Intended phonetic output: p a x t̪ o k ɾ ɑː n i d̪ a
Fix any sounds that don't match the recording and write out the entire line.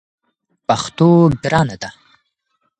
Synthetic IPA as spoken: p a x t̪ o ɡ ɾ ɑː n a d̪ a